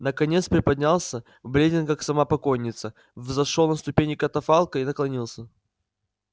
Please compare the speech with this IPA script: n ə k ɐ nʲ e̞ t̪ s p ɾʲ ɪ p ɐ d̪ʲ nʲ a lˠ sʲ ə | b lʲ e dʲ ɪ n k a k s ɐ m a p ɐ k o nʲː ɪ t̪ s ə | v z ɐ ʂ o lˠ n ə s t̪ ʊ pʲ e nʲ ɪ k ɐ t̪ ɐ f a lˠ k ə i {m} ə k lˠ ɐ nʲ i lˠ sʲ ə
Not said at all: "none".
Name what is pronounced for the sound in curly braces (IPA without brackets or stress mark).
n